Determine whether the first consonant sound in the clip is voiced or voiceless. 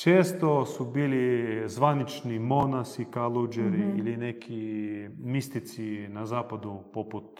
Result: voiceless